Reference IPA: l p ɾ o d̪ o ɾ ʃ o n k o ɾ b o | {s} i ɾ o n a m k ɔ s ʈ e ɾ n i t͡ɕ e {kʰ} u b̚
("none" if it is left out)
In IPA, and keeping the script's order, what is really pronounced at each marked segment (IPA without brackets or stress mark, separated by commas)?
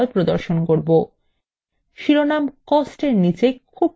ʃ, kʰ